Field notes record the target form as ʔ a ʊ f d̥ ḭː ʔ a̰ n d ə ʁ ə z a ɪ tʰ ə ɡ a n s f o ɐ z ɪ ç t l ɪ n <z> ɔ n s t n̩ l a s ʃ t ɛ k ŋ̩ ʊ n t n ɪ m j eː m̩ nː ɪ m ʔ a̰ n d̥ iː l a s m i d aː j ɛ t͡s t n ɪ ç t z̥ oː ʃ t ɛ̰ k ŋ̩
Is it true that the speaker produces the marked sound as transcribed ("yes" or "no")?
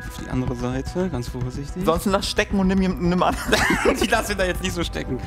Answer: yes